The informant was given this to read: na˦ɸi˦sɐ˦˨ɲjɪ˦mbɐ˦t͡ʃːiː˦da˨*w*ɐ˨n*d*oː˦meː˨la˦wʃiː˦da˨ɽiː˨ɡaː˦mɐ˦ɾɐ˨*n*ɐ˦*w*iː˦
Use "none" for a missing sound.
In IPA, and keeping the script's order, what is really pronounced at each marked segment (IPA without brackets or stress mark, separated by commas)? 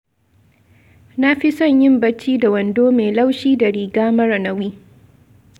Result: w, d, n, w